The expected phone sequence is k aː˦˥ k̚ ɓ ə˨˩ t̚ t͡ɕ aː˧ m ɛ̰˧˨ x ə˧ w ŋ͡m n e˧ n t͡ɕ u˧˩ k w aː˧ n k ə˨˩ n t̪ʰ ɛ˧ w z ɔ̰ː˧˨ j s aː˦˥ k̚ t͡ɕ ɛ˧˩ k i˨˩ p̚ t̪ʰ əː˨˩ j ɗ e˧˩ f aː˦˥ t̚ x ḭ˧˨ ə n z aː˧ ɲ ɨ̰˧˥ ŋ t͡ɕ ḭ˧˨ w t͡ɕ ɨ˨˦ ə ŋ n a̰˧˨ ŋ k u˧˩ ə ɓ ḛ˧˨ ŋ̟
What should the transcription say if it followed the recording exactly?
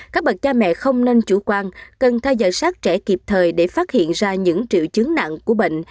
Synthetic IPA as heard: k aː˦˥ k̚ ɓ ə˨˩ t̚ t͡ɕ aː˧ m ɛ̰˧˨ x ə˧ w ŋ͡m n e˧ n t͡ɕ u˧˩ k w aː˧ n k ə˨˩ n t̪ʰ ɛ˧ w z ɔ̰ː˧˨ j s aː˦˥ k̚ t͡ɕ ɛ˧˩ k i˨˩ p̚ t̪ʰ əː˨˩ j ɗ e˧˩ f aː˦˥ t̚ h ḭ˧˨ ə n z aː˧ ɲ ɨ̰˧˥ ŋ t͡ɕ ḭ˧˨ w t͡ɕ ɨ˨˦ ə ŋ n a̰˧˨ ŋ k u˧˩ ə ɓ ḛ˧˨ ŋ̟